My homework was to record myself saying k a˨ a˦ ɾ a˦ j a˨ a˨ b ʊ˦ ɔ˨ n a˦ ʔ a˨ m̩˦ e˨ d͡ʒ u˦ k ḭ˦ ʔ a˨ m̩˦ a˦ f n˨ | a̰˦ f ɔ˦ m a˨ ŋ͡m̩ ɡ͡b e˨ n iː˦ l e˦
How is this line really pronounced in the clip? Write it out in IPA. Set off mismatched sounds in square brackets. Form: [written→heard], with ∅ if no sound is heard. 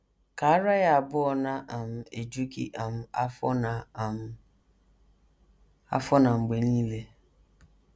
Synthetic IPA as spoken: k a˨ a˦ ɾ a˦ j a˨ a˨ b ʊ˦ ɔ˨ n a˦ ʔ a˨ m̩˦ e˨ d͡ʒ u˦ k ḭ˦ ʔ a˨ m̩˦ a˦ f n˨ | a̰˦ f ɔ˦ [m→n] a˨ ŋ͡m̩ ɡ͡b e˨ n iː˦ l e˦